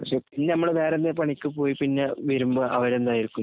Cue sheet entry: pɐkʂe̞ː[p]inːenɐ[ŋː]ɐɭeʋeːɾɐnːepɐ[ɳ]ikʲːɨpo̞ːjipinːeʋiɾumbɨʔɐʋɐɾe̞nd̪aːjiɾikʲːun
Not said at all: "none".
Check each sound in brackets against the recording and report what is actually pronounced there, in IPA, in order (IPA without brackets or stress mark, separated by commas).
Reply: p, mː, ɳ